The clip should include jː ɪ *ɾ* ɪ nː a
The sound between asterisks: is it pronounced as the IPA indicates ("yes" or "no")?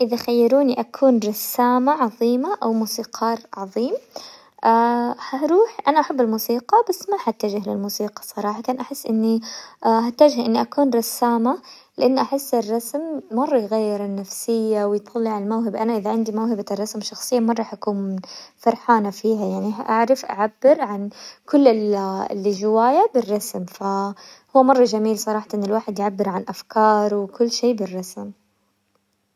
yes